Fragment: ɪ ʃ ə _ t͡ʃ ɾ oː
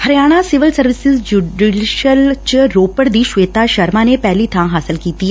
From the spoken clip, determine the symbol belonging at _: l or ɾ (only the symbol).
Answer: l